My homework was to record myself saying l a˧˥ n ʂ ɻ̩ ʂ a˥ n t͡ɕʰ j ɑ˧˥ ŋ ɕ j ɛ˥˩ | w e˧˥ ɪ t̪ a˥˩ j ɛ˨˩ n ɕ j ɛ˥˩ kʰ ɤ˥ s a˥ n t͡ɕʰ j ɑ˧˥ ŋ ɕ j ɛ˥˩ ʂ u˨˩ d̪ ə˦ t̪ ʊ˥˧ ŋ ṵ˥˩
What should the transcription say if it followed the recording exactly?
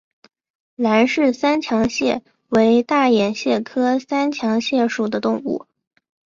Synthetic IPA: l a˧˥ n ʂ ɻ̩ s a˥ n t͡ɕʰ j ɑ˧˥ ŋ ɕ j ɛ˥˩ | w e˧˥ ɪ t̪ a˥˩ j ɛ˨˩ n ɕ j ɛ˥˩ kʰ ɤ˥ s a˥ n t͡ɕʰ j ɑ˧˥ ŋ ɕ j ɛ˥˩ ʂ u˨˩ d̪ ə˦ t̪ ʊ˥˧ ŋ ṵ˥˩